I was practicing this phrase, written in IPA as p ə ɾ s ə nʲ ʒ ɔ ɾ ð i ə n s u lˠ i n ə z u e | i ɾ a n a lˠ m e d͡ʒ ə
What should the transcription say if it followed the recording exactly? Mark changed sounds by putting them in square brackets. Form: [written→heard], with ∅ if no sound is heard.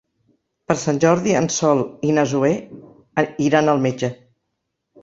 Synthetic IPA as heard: p ə ɾ s [ə→a] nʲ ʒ ɔ ɾ ð i ə n s [u→ɔ] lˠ i n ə z u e | i ɾ a n [a→ə] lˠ m e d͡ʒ ə